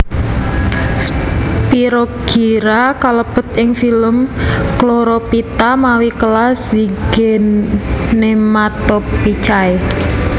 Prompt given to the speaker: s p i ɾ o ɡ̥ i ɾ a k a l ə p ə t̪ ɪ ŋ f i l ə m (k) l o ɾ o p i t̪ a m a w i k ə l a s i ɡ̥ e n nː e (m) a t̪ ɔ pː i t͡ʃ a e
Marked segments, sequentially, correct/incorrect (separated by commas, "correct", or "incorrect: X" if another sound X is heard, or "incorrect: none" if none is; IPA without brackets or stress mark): correct, correct